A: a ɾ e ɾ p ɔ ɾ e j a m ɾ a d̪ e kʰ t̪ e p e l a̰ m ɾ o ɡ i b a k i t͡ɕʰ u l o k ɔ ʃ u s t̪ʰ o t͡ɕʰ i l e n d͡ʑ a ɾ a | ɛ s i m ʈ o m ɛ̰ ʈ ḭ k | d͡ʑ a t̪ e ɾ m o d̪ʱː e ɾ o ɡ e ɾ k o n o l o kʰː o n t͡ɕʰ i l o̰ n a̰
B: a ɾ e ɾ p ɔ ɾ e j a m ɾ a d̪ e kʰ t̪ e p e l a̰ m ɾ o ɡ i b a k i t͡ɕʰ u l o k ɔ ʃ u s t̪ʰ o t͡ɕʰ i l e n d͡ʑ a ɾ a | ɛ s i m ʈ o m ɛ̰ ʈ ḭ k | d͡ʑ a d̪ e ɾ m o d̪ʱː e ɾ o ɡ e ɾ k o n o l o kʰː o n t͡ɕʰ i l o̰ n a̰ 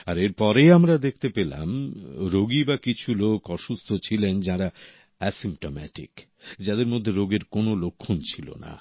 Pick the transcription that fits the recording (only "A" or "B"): B